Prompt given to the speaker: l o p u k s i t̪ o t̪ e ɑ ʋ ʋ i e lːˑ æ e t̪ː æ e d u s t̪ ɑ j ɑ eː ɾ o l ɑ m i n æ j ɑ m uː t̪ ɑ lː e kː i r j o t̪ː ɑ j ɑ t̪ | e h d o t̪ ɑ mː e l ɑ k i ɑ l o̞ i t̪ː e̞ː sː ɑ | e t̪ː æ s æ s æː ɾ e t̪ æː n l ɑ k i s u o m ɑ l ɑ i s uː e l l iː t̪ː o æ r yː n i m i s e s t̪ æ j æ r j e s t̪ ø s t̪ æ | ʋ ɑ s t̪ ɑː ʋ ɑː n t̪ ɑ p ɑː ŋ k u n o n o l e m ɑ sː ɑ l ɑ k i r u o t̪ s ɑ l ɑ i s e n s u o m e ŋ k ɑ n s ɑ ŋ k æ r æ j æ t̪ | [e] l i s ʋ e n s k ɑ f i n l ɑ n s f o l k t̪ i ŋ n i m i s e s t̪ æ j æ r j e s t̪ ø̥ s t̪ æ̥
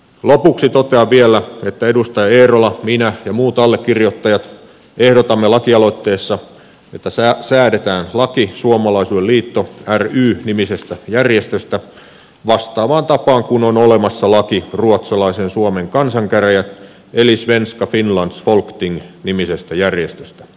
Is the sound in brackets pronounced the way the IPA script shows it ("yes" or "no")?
yes